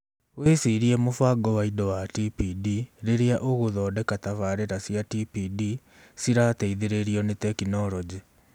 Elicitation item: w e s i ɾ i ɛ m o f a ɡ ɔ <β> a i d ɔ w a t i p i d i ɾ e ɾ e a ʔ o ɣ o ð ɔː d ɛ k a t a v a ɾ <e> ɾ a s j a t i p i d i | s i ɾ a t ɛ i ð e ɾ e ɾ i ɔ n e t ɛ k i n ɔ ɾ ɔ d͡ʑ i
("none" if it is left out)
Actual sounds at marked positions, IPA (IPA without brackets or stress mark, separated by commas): w, e